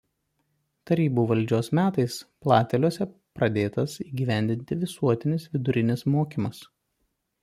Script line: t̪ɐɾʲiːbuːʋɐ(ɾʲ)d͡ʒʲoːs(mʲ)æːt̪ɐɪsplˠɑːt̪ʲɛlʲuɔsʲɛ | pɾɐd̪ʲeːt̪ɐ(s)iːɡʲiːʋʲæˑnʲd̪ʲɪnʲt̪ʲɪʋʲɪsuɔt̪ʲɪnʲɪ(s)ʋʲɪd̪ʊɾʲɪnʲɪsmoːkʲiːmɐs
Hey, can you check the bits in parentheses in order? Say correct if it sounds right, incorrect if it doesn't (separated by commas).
incorrect, correct, correct, correct